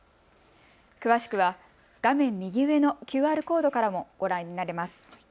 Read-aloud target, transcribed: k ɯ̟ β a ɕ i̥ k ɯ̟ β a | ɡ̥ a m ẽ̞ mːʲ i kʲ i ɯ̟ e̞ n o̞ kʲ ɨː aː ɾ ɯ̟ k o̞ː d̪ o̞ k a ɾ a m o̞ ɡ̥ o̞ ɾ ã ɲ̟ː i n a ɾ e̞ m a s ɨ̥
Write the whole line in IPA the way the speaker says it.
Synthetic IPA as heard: k ɯ̟ β a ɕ i̥ k ɯ̟ β a | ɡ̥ a m ẽ̞ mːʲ i ɡʲ i ɯ̟ e̞ n o̞ kʲ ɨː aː ɾ ɯ̟ k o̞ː d̪ o̞ k a ɾ a m o̞ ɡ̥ o̞ ɾ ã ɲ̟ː i n a ɾ e̞ m a s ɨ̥